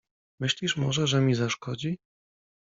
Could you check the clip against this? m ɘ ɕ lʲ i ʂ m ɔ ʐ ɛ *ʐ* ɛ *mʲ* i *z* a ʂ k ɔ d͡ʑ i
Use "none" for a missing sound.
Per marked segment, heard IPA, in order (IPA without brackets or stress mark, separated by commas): ʐ, mʲ, z